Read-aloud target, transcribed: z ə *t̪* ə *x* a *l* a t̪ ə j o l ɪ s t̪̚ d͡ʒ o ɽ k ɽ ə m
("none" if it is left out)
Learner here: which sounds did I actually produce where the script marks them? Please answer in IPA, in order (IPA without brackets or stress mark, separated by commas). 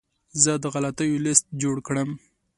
d̪, ɣ, l